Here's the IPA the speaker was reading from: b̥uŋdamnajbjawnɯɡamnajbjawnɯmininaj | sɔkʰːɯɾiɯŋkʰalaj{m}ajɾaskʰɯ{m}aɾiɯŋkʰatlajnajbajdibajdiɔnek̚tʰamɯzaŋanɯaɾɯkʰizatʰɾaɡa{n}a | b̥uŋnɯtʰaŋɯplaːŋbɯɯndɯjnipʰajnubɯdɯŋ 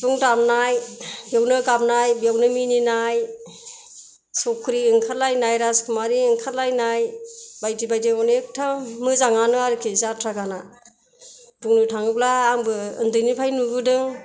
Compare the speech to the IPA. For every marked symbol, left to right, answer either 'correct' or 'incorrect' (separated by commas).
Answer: incorrect, correct, correct